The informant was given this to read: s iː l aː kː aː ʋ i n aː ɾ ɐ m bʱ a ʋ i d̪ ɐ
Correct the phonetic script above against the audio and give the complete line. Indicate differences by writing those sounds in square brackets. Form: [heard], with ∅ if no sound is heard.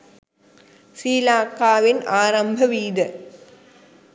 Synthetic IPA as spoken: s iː l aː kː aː ʋ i n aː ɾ ɐ m bʱ [ɐ] ʋ [iː] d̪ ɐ